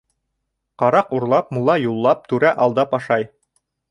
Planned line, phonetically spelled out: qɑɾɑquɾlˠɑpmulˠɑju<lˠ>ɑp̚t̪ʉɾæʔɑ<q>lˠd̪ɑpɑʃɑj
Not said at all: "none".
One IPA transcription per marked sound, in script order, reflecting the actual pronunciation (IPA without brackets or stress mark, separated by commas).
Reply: lˠː, none